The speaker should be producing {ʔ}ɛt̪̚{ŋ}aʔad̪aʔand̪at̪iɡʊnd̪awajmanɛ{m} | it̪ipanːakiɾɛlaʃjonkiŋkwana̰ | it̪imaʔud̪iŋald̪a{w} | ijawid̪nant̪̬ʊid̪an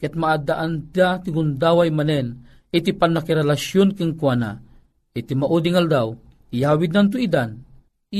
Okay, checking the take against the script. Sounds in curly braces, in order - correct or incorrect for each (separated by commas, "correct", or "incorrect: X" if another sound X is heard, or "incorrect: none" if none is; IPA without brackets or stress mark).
incorrect: k, incorrect: m, incorrect: n, correct